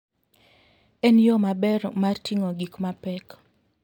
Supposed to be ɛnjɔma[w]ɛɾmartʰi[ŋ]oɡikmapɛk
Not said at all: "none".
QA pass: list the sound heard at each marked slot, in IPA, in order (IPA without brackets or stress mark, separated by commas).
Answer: b, ŋ